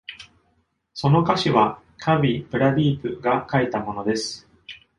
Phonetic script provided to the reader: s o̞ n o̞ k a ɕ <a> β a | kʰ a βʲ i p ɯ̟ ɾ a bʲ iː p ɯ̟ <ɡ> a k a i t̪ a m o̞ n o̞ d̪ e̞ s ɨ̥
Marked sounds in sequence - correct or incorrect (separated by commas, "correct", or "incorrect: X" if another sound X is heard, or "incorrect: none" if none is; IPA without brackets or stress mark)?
incorrect: i, correct